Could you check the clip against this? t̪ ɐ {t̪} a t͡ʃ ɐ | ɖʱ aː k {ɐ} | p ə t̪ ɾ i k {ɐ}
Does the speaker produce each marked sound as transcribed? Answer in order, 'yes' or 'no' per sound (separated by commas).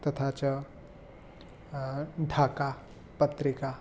no, no, no